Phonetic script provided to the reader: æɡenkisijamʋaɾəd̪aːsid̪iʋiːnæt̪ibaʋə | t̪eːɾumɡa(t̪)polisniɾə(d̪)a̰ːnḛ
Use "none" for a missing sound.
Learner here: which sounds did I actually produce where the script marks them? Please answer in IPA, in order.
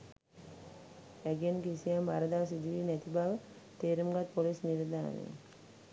t̪, d̪

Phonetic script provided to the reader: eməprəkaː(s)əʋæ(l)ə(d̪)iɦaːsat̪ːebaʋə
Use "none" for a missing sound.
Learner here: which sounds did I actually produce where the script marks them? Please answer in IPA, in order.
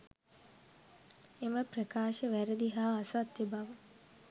ʃ, ɾ, d̪

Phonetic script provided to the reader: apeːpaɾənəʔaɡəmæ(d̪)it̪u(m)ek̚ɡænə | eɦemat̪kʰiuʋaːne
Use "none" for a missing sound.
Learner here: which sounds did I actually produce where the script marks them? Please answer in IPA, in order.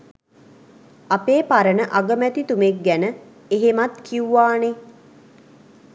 t̪, m

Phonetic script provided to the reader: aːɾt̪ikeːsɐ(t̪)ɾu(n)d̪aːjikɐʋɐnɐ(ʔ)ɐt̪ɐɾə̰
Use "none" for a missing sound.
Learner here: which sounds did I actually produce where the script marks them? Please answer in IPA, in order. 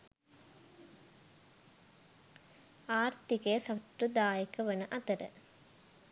t̪, none, ʔ

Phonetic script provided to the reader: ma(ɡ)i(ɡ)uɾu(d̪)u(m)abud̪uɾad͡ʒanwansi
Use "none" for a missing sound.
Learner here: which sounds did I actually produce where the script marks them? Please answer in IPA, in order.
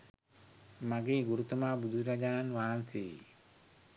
ɡ, ɡ, t̪, m

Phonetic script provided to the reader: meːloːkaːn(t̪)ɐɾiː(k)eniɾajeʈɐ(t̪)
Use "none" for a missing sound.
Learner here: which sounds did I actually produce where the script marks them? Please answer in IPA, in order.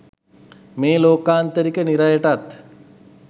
t̪, k, t̪

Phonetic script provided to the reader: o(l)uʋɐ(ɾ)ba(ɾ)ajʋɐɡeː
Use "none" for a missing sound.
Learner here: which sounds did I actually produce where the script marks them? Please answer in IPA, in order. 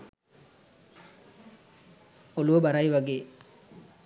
l, none, ɾ

